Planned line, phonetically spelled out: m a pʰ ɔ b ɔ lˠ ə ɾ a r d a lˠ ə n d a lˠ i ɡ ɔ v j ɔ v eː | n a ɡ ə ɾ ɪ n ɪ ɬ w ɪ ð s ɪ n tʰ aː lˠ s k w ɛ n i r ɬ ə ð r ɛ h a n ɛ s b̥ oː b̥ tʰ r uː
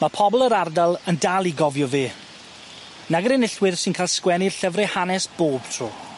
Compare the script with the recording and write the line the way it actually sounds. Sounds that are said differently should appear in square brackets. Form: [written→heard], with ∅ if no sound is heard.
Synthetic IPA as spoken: m a pʰ ɔ b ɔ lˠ ə ɾ a r d a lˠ ə n d a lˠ i ɡ ɔ v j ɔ v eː | n a ɡ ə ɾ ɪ n ɪ ɬ w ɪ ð s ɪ n [tʰ→kʰ] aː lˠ s k w ɛ n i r ɬ ə [ð→v] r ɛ h a n ɛ s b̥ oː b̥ tʰ r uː